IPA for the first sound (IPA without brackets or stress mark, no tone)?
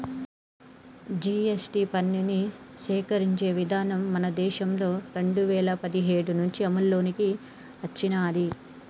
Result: d͡ʒ